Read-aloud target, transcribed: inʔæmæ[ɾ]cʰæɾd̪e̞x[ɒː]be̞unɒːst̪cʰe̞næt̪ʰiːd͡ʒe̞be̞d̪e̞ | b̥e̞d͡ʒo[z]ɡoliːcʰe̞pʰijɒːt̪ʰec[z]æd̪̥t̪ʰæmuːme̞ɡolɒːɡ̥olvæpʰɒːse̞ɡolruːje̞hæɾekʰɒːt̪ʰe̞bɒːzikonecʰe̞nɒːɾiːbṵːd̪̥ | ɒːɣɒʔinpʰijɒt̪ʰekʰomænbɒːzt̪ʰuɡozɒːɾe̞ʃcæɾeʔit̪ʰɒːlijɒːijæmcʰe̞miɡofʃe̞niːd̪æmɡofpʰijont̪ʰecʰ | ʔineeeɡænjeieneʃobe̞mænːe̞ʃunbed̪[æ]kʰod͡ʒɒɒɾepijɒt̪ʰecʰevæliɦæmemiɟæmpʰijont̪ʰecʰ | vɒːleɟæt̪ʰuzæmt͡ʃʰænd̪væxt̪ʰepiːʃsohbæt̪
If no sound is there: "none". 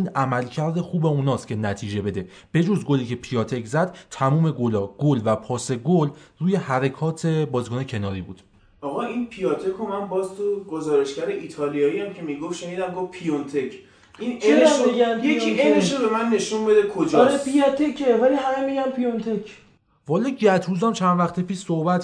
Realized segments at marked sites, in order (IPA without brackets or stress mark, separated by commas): l, uː, z, z, e